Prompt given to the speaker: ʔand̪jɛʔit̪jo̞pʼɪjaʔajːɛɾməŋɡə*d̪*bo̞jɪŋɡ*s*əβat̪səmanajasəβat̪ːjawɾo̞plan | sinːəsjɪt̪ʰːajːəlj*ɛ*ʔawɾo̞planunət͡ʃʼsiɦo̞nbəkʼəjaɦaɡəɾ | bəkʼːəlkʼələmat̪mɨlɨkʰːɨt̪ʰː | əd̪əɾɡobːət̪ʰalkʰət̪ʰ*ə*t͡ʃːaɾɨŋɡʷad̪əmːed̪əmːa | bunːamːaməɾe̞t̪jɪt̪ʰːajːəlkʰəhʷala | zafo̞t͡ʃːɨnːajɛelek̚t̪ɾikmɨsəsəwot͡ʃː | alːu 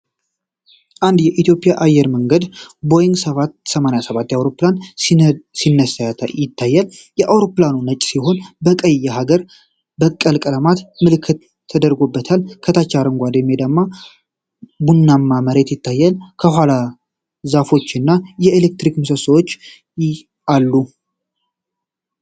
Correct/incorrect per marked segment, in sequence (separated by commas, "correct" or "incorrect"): correct, correct, correct, incorrect